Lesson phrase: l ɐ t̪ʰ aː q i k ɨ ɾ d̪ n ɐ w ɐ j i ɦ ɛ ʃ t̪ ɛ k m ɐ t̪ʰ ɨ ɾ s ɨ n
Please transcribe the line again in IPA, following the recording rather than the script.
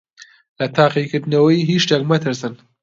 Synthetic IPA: l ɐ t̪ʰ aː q i k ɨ ɾ d̪ n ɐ w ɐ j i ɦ i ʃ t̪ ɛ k m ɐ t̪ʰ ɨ ɾ s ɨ n